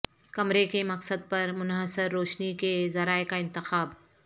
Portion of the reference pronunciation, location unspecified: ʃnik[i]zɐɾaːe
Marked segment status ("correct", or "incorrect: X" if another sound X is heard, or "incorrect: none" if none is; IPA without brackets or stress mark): incorrect: e